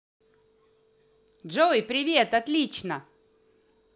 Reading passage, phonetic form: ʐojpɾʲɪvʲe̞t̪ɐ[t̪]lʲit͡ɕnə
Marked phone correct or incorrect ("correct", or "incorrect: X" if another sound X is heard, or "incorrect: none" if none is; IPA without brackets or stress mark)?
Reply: correct